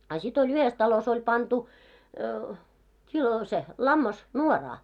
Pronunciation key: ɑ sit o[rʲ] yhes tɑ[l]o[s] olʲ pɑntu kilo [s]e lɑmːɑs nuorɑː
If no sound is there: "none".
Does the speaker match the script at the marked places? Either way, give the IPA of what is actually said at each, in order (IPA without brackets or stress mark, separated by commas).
lʲ, l, s, s